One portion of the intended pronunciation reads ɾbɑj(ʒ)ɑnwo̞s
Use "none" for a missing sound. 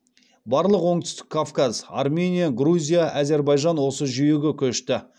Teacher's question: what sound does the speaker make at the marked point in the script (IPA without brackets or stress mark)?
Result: ʒ